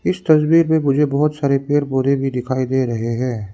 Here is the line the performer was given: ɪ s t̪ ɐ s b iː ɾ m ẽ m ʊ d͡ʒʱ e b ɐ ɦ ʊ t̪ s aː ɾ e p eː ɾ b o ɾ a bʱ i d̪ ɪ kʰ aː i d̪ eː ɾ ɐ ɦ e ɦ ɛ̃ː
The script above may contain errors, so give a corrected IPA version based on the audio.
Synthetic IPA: ɪ s t̪ ɐ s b iː ɾ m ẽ m ʊ d͡ʒʱ e b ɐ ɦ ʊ t̪ s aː ɾ e p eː ɾ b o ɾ e bʱ i d̪ ɪ kʰ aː i d̪ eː ɾ ɐ ɦ e ɦ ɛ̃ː